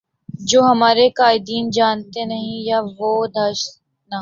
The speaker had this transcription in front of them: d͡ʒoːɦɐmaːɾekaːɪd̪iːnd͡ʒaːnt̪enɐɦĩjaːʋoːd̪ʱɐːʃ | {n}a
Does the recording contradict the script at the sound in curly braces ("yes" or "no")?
no